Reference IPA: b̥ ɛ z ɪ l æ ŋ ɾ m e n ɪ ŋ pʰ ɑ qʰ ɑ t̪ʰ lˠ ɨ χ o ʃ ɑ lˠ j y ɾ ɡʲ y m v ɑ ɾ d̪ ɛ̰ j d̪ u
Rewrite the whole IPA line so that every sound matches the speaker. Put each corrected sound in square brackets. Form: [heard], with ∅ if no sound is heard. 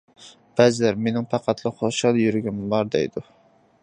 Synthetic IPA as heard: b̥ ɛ z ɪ l æ [∅] ɾ m e n ɪ ŋ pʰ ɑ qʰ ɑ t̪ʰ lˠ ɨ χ o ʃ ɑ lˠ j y ɾ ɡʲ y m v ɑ ɾ d̪ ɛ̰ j d̪ u